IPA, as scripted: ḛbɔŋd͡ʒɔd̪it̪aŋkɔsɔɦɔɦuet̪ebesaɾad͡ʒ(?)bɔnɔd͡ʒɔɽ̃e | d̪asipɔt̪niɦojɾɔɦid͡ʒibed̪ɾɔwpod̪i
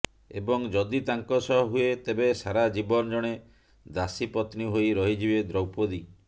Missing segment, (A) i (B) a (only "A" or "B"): A